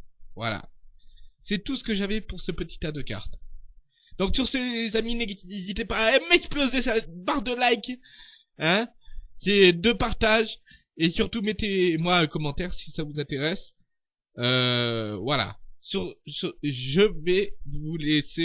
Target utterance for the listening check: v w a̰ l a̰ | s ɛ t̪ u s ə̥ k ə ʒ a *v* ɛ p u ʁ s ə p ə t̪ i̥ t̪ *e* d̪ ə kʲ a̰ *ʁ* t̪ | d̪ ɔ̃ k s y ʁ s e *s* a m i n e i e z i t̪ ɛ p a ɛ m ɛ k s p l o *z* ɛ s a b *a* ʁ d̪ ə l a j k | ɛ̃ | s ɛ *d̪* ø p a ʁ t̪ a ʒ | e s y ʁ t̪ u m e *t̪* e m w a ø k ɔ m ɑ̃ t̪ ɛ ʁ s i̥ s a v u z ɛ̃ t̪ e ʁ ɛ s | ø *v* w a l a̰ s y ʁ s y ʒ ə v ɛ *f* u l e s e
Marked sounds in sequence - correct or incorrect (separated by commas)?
correct, incorrect, correct, incorrect, correct, correct, correct, correct, correct, incorrect